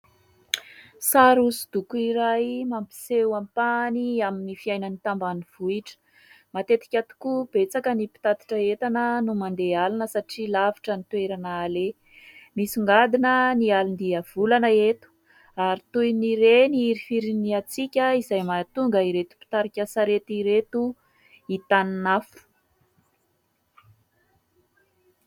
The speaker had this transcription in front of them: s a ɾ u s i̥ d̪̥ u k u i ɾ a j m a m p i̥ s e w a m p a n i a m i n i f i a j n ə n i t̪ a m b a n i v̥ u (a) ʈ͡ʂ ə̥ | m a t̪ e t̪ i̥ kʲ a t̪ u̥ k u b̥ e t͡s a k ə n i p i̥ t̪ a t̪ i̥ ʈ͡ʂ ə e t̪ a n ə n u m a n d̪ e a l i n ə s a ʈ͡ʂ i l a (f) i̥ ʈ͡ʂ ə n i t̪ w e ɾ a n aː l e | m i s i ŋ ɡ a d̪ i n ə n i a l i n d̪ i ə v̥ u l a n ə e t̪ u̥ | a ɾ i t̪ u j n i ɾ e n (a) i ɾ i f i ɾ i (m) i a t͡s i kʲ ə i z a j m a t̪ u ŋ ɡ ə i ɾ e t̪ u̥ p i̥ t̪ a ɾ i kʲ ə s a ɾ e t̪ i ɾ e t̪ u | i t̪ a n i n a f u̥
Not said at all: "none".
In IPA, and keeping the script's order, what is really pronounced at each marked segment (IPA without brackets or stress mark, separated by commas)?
i, v, i, n